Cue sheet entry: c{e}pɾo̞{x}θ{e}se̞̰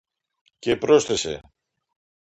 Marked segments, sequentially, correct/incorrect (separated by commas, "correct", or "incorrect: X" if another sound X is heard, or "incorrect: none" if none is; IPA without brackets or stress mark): correct, incorrect: s, correct